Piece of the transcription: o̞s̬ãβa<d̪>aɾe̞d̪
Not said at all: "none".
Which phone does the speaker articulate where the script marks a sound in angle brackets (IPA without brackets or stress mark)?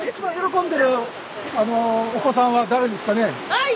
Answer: d̪